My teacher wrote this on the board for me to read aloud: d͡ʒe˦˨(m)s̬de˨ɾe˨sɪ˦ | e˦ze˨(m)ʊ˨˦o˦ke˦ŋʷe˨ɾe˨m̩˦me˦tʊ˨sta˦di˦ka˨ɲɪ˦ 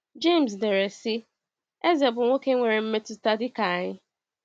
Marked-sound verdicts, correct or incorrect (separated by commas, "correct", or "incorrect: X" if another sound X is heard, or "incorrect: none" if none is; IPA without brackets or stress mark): correct, incorrect: b